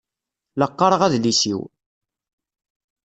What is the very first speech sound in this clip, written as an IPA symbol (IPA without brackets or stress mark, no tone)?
l